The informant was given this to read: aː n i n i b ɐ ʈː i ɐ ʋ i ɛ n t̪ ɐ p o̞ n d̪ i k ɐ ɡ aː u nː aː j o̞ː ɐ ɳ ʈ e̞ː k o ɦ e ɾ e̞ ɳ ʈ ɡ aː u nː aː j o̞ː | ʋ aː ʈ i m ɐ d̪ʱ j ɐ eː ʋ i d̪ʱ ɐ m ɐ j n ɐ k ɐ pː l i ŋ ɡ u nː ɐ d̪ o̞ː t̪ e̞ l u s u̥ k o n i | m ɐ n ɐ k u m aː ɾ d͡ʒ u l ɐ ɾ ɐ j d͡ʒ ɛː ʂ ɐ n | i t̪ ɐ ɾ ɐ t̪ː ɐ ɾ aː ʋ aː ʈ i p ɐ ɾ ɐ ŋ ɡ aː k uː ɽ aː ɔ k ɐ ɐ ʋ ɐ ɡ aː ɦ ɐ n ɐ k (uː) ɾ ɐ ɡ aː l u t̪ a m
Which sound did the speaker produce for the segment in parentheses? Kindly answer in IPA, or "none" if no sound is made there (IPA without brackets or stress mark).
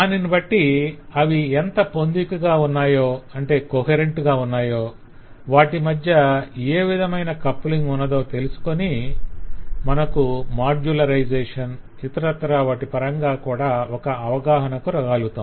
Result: u